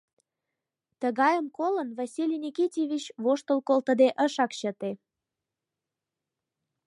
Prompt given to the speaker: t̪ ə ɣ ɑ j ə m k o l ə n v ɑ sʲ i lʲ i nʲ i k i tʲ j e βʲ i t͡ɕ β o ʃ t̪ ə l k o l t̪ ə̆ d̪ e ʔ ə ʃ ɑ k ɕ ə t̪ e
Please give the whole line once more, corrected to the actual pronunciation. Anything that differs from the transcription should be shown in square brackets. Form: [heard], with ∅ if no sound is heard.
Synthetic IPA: t̪ ə ɣ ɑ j ə m k o l ə n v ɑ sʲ i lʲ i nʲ i k i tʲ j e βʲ i t͡ɕ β o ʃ t̪ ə l k o l t̪ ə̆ d̪ e ʔ ə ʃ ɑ k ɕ ə t̪ e